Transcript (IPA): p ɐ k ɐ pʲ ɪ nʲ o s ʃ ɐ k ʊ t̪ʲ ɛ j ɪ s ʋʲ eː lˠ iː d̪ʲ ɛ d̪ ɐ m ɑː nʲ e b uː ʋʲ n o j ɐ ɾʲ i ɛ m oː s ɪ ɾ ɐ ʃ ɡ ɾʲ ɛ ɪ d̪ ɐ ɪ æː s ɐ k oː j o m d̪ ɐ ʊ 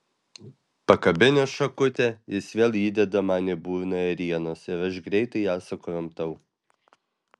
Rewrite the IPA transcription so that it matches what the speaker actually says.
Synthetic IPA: p ɐ k ɐ bʲ ɪ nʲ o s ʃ ɐ k ʊ t̪ʲ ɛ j ɪ s ʋʲ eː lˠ iː d̪ʲ ɛ d̪ ɐ m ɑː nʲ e b uː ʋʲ n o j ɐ ɾʲ i ɛ n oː s ɪ ɾ ɐ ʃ ɡ ɾʲ ɛ ɪ t̪ ɐ ɪ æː s ɐ k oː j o m t̪ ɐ ʊ